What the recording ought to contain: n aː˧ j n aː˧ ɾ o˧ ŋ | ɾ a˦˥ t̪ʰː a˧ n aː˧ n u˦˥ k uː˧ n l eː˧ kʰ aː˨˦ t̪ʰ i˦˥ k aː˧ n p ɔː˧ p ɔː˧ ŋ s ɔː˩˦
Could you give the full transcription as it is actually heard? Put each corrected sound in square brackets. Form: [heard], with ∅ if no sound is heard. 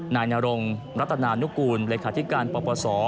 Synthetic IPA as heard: n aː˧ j n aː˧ ɾ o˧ ŋ | ɾ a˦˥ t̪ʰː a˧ n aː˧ n u˦˥ k uː˧ n l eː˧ kʰ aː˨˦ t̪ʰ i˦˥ k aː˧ n p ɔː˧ p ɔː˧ [∅] s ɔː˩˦